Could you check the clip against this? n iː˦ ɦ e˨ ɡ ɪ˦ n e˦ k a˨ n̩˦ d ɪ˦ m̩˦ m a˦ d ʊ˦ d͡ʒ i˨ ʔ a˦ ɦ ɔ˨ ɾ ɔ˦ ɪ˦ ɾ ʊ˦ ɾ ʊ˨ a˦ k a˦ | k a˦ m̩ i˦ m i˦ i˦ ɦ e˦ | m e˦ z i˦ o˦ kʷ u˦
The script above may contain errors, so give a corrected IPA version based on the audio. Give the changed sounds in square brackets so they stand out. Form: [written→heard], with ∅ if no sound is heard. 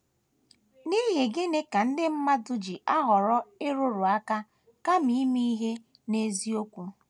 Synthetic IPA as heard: n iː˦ ɦ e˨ ɡ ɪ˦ n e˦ k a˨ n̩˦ d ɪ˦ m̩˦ m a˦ d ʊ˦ d͡ʒ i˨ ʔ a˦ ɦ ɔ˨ ɾ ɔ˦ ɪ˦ ɾ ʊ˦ ɾ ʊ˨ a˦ k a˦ | k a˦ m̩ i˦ m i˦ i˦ ɦ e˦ | [m→n] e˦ z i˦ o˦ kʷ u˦